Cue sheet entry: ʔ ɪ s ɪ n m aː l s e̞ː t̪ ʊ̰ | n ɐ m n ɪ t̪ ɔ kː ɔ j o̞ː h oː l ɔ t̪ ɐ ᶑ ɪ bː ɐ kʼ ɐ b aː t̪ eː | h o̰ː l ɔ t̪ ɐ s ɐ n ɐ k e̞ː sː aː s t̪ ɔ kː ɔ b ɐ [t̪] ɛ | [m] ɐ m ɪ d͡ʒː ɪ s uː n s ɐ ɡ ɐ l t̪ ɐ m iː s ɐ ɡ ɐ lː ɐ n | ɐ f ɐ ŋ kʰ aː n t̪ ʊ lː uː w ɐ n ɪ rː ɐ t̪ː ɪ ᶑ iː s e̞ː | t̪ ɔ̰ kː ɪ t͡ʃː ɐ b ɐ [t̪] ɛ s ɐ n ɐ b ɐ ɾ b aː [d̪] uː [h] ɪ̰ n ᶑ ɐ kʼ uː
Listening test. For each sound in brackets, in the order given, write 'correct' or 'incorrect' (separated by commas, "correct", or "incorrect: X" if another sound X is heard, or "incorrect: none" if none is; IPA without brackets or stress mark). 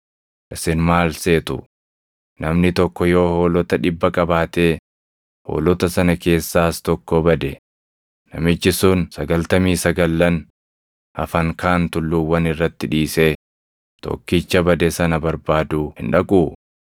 incorrect: d̪, incorrect: n, incorrect: d̪, correct, correct